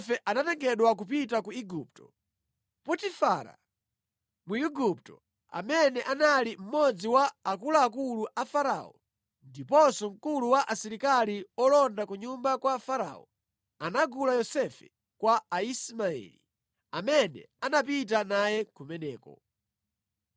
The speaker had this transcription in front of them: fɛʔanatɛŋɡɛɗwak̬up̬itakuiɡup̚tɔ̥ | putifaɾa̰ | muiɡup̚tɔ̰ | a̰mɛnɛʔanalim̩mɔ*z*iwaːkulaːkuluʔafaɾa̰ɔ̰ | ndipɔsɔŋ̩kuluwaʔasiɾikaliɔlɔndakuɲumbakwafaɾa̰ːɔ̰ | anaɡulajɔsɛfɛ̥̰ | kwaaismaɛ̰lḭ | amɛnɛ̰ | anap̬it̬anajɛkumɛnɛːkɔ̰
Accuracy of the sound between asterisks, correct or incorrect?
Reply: incorrect